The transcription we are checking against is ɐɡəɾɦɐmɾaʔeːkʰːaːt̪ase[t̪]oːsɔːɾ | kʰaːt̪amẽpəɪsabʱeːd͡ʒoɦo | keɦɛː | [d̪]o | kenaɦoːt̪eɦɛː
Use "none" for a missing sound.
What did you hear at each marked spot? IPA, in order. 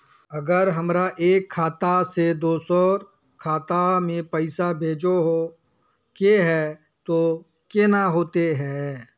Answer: d̪, t̪

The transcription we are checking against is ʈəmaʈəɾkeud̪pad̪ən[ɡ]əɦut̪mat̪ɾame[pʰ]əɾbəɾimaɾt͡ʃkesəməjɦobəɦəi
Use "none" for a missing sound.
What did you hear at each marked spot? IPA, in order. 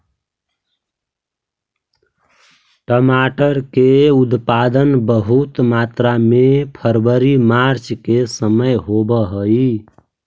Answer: b, pʰ

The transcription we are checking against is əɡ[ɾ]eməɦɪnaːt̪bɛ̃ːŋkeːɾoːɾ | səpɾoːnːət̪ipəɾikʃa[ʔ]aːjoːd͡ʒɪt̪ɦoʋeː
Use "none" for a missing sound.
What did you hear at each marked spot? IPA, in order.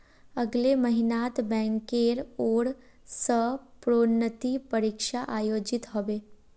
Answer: l, ʔ

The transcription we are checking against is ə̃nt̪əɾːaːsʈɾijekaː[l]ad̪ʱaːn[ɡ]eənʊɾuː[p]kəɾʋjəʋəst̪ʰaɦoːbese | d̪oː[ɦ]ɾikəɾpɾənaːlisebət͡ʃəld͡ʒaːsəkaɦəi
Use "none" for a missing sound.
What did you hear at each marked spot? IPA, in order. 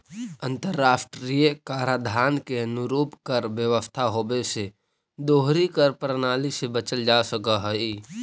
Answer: ɾ, k, p, ɦ

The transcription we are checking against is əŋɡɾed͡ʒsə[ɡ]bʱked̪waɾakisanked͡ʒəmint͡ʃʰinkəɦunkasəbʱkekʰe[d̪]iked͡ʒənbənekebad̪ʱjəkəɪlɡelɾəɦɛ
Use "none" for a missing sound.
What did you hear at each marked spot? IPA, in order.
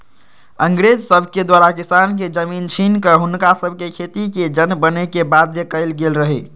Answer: none, t̪

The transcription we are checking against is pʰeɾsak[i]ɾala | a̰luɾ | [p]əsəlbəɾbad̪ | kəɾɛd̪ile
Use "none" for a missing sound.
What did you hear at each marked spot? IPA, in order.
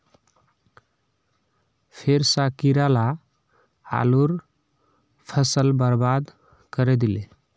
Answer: i, pʰ

